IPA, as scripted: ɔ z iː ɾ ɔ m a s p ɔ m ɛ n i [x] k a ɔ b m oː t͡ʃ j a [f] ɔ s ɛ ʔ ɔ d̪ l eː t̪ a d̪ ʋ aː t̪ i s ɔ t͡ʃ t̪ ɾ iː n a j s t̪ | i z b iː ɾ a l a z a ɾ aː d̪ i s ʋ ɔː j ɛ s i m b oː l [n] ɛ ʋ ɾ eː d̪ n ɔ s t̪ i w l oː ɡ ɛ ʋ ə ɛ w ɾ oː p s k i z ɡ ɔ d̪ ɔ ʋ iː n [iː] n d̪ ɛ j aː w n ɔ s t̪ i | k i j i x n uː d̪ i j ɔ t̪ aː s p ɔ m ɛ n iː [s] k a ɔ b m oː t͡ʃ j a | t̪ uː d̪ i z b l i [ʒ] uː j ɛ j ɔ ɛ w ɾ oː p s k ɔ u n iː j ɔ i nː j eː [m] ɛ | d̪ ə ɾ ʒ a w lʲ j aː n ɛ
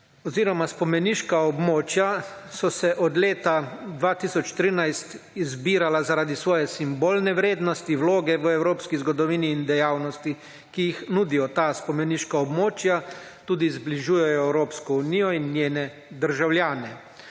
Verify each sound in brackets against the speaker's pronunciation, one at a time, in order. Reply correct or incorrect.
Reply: incorrect: ʃ, incorrect: s, correct, correct, incorrect: ʃ, correct, incorrect: n

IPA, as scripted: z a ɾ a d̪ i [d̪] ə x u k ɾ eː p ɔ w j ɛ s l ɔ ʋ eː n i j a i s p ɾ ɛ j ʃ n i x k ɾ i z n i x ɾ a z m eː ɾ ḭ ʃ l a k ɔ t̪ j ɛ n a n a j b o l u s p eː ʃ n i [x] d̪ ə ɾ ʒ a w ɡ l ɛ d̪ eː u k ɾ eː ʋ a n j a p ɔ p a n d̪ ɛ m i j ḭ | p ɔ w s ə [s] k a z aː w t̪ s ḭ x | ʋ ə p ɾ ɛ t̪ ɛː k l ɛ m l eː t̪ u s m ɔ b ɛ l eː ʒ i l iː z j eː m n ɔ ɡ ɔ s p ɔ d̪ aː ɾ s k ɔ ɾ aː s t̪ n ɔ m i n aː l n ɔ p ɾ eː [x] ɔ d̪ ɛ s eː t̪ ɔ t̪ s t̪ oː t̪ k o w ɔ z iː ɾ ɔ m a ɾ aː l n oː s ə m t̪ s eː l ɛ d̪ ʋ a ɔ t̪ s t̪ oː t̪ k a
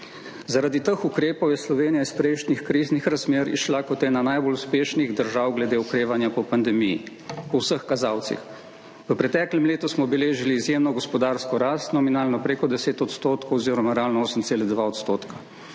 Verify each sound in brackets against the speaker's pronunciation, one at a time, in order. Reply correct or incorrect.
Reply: incorrect: t̪, incorrect: ɣ, incorrect: x, incorrect: k

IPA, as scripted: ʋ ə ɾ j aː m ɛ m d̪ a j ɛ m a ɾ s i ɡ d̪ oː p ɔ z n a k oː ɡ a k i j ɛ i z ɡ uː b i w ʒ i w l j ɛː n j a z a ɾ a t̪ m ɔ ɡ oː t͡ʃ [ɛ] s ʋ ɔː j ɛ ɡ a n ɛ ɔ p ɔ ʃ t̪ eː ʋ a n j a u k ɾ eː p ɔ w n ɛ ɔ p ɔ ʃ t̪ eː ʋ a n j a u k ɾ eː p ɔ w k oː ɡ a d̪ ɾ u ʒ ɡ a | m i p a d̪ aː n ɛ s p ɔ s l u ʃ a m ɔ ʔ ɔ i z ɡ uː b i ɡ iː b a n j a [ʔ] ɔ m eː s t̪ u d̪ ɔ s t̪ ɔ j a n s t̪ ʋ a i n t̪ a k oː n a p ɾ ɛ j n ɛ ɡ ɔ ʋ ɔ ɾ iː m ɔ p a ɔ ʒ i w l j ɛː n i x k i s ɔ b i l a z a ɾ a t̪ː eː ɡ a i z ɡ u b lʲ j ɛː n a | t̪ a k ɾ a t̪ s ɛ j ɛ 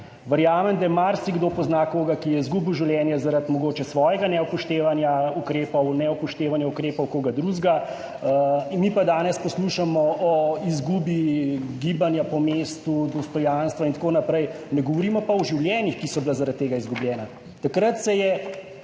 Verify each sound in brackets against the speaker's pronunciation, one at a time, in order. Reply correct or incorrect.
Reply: correct, incorrect: p

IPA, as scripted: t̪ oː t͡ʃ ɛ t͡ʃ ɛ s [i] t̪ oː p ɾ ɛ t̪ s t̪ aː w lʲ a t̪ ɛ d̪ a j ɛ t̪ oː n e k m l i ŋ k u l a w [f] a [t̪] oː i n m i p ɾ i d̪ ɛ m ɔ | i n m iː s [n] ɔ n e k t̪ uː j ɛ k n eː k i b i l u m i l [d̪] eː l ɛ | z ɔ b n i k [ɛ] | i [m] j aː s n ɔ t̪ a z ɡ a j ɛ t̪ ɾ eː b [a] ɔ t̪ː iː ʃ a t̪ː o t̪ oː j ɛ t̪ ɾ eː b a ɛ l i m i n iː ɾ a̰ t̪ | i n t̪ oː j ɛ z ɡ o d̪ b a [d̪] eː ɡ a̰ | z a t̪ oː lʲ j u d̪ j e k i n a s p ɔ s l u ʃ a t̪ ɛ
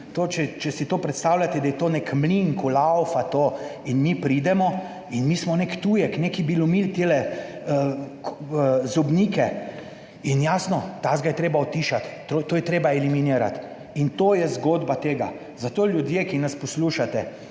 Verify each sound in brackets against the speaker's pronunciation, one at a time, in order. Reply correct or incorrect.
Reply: correct, correct, correct, incorrect: m, incorrect: t̪, correct, incorrect: n, correct, incorrect: t̪

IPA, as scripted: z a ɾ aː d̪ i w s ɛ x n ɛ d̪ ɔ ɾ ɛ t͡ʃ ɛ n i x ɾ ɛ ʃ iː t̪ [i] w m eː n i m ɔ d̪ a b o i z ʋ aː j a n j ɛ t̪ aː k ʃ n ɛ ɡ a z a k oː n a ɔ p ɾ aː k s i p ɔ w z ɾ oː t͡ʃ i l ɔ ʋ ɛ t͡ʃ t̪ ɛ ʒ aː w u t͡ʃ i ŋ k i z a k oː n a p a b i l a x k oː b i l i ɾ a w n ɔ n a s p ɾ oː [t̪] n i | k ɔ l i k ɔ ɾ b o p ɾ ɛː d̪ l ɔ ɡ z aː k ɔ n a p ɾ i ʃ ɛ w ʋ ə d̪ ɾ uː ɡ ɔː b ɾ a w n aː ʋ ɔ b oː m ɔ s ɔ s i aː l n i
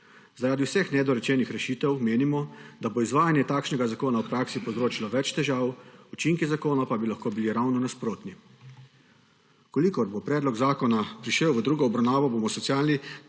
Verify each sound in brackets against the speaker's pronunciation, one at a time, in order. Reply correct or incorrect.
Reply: incorrect: ɛ, correct

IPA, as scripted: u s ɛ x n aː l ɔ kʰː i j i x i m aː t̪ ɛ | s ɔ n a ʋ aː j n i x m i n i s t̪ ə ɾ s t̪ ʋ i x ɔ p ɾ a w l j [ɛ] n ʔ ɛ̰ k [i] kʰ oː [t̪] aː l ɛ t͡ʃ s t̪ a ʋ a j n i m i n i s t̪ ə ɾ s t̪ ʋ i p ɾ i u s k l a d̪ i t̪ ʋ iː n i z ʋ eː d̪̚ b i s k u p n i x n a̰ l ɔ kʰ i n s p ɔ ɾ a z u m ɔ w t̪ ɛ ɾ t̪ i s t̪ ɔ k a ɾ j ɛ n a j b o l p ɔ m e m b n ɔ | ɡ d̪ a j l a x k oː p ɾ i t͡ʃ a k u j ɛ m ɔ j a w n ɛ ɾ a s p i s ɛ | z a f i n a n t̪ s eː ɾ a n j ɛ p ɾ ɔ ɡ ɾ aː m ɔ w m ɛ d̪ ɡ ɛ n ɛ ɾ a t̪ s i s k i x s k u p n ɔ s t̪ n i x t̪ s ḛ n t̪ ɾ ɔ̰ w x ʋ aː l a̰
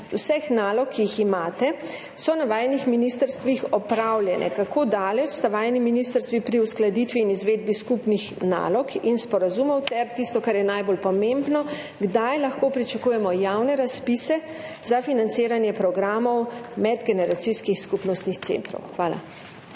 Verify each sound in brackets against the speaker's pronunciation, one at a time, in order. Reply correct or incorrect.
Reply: correct, incorrect: a, incorrect: d̪

